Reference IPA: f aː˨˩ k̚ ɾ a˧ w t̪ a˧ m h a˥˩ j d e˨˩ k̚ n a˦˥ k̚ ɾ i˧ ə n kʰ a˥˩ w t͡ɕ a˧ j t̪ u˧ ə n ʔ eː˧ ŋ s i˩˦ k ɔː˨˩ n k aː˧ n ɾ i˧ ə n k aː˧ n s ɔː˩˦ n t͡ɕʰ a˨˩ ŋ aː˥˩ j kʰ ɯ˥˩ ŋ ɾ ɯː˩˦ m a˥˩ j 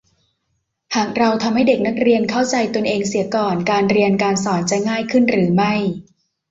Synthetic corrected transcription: h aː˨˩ k̚ ɾ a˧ w t̪ʰ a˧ m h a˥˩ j d e˨˩ k̚ n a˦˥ k̚ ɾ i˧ ə n kʰ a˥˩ w t͡ɕ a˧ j t̪ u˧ ə n ʔ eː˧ ŋ s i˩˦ k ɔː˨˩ n k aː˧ n ɾ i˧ ə n k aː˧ n s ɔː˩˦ n t͡ɕ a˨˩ ŋ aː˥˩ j kʰ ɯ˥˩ n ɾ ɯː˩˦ m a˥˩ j

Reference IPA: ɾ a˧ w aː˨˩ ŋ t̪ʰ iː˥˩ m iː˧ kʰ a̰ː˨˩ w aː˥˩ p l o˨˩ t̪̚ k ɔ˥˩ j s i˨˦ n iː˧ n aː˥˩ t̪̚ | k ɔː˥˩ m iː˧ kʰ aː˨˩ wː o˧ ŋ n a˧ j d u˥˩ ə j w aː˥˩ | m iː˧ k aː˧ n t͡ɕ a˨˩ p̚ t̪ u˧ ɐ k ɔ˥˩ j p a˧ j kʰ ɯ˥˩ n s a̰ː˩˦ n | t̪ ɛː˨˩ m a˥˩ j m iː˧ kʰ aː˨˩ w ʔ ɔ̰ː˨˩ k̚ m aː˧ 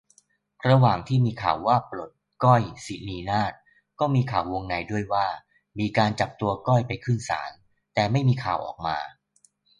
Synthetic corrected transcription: ɾ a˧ w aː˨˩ ŋ t̪ʰ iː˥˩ m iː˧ kʰ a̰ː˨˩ wː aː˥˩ p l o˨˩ t̪̚ k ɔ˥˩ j s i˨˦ n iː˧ n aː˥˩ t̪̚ | k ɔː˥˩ m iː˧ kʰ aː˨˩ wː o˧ ŋ n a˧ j d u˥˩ ə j w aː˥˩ | m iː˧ k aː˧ n t͡ɕ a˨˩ p̚ t̪ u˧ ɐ k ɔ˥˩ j p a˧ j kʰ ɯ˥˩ n s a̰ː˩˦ n | t̪ ɛː˨˩ m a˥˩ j m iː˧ kʰ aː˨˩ w ʔ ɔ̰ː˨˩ k̚ m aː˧

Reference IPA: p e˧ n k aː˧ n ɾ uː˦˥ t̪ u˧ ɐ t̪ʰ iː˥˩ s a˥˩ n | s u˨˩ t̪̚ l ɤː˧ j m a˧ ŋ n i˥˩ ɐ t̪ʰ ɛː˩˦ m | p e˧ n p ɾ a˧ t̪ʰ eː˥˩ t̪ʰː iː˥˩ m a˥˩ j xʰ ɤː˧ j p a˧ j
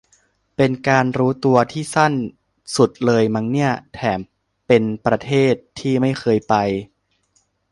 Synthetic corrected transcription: p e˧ n k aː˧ n ɾ uː˦˥ t̪ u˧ ɐ t̪ʰ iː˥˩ s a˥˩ n | s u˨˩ t̪̚ l ɤː˧ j m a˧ ŋ n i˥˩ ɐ t̪ʰ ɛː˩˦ m | p e˧ n p ɾ a˧ t̪ʰ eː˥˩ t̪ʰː iː˥˩ m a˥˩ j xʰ ɤː˧ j p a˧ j

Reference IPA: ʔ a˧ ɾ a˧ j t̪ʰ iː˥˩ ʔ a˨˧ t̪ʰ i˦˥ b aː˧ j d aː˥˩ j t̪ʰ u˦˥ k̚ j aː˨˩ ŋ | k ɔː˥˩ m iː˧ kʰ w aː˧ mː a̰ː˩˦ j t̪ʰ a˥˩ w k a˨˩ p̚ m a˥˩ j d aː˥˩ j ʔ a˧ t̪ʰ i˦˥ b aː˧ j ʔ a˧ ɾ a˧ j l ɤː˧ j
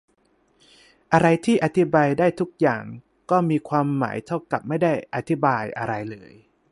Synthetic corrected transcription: ʔ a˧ ɾ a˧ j t̪ʰ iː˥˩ ʔ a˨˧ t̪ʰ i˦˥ b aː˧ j d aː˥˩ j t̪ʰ u˦˥ k̚ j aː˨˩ ŋ | k ɔː˥˩ m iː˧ kʰ w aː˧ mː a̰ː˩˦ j t̪ʰ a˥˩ w k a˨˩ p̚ m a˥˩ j d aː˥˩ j ʔ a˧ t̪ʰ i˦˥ b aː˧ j ʔ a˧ ɾ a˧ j l ɤː˧ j

